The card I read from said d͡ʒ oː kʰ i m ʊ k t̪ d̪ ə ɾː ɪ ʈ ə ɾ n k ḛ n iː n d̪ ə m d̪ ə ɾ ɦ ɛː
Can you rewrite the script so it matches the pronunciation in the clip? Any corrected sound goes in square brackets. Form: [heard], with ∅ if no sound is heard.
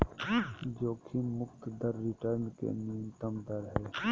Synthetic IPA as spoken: d͡ʒ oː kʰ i m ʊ k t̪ d̪ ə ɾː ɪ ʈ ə ɾ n k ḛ n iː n [t̪] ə m d̪ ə ɾ ɦ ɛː